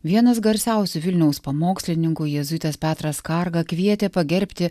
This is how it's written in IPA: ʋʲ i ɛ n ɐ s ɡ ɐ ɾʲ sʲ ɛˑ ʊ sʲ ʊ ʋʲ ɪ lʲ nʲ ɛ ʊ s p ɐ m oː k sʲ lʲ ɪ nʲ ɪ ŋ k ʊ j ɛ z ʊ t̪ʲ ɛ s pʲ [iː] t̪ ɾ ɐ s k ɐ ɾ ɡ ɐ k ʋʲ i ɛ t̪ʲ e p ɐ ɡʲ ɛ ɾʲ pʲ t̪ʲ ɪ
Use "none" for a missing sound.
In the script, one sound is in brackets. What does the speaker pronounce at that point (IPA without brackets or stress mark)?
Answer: æː